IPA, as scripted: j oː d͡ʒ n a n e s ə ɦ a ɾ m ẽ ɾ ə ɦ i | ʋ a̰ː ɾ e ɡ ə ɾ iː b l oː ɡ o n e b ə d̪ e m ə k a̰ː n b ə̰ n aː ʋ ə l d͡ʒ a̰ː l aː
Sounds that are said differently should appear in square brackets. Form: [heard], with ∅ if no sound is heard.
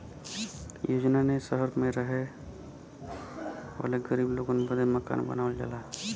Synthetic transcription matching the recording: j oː d͡ʒ n a n e s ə ɦ [ə] ɾ m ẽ ɾ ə ɦ [e] | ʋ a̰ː [l] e ɡ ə ɾ iː b l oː ɡ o n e b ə d̪ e m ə k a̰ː n b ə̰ n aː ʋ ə l d͡ʒ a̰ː l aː